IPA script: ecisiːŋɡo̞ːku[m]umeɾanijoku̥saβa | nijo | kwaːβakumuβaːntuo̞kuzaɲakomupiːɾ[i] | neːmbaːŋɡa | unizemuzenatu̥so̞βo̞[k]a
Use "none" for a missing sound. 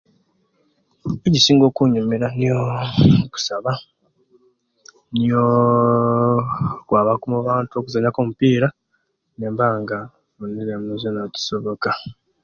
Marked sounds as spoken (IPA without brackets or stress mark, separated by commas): ɲ, a, k